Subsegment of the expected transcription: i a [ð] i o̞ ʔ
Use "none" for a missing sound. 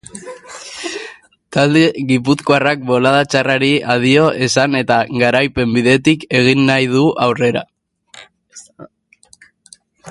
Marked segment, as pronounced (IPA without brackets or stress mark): ð